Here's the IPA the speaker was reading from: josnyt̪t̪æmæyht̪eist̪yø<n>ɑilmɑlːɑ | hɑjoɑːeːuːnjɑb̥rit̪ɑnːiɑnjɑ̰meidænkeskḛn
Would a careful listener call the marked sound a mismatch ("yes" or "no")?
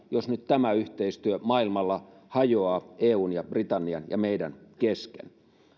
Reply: yes